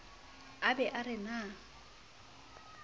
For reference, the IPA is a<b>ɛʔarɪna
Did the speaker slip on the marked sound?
no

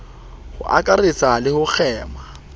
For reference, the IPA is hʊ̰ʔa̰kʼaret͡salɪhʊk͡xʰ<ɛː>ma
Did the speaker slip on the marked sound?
no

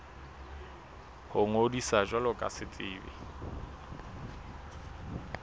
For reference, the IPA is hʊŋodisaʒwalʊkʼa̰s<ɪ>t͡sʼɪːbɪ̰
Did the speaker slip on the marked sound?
no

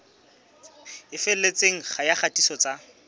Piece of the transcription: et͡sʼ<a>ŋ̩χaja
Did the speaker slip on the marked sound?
yes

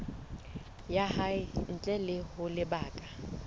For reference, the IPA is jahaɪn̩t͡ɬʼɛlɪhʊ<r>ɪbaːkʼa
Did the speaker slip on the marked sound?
yes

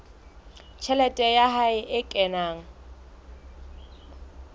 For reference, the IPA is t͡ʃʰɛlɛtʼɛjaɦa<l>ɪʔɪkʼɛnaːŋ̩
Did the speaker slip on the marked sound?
yes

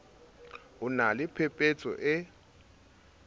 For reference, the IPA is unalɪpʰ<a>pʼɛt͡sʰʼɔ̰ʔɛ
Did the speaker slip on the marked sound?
yes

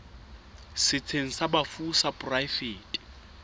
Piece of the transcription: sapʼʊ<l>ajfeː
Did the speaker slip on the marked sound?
yes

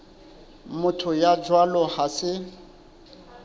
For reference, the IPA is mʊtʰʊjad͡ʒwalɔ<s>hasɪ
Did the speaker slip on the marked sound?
yes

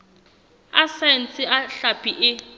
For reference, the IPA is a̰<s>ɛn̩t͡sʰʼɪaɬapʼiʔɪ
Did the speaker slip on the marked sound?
no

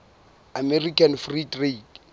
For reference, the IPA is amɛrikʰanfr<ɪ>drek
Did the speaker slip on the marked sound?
yes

